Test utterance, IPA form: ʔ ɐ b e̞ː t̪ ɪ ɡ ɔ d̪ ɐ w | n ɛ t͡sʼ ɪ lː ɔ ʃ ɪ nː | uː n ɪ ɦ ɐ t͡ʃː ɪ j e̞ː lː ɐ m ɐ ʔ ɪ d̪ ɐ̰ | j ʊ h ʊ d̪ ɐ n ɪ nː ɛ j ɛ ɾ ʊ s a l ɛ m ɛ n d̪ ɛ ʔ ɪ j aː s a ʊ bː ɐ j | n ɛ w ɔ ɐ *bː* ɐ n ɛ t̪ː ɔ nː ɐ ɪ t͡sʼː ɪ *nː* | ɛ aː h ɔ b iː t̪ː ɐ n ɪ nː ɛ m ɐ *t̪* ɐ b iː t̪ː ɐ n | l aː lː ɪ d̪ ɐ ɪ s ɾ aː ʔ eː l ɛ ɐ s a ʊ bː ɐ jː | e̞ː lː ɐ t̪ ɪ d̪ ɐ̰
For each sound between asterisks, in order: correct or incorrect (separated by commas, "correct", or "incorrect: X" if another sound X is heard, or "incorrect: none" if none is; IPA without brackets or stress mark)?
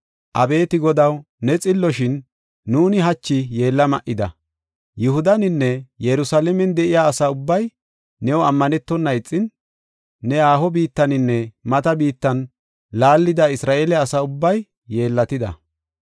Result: incorrect: mː, correct, correct